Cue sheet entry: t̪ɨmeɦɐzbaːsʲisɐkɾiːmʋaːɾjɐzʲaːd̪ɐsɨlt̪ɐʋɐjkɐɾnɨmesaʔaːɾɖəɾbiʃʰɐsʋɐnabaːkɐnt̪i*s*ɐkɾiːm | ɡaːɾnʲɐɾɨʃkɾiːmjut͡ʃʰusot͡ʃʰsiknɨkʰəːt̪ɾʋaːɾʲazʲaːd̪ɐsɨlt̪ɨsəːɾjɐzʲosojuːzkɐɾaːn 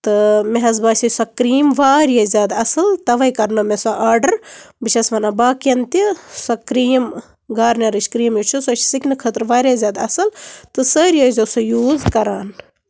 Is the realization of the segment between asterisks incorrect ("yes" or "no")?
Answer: no